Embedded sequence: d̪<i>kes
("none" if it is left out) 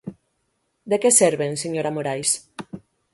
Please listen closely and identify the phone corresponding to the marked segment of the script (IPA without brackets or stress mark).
e